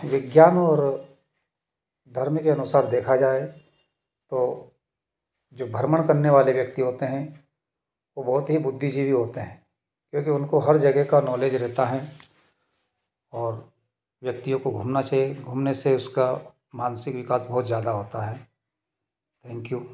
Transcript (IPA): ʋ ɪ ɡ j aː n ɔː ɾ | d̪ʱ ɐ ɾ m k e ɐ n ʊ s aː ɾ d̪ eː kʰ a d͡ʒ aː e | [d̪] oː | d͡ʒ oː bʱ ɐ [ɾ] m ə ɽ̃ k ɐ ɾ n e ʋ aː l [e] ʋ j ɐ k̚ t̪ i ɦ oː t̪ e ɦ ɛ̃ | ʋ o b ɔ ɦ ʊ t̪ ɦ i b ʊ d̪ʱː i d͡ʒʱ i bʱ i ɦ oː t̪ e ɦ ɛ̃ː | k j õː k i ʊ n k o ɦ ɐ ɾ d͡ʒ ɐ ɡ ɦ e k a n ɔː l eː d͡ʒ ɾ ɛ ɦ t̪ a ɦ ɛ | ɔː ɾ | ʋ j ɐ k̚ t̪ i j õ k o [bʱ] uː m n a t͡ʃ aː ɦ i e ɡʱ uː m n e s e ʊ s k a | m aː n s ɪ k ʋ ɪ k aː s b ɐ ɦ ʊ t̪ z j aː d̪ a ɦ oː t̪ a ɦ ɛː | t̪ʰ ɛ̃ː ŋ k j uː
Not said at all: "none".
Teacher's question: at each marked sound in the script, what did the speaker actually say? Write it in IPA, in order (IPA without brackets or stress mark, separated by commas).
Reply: t̪, ɾ, e, ɡʱ